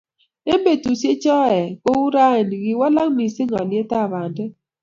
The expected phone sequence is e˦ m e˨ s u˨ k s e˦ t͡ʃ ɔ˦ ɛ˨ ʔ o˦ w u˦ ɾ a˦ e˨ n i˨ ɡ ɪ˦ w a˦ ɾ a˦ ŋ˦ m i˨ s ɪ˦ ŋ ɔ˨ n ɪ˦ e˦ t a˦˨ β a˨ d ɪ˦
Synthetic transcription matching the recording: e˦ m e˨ t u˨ s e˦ t͡ʃ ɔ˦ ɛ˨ k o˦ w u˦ ɾ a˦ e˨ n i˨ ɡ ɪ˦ w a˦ l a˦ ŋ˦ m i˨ s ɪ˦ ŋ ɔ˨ n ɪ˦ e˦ t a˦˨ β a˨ d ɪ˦